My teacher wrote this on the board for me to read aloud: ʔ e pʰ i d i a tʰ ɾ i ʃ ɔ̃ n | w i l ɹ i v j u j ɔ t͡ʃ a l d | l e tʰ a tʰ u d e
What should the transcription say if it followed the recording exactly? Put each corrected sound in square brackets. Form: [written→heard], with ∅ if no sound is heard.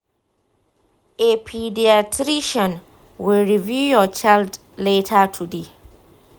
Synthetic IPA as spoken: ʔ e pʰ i d i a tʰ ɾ i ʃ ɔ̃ n | w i l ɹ i v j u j ɔ t͡ʃ a l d | l e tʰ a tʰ u d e